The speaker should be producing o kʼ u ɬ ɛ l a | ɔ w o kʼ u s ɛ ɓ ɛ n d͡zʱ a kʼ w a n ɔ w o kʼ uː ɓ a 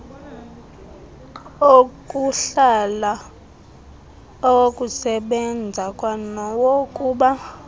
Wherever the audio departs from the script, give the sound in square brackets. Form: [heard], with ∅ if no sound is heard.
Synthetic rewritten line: o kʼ u ɬ [a] l a | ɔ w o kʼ u s ɛ ɓ ɛ n d͡zʱ a kʼ w a n ɔ w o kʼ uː ɓ a